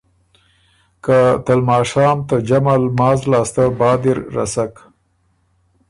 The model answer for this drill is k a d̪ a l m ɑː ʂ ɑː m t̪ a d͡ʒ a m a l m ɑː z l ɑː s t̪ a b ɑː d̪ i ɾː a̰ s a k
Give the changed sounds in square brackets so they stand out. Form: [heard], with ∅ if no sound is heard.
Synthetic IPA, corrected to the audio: k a [t̪] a l m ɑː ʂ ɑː m t̪ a d͡ʒ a m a l m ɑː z l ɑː s t̪ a b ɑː d̪ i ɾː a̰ s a k